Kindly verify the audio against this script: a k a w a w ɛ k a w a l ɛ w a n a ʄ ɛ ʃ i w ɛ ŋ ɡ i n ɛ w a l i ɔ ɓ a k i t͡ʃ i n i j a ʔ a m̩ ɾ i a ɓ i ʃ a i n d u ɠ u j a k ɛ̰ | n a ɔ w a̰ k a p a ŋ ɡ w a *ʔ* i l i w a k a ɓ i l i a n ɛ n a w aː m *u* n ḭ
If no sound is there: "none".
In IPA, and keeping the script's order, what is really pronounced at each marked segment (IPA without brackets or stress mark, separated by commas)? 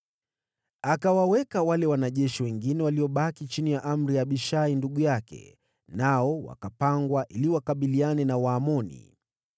ʔ, ɔ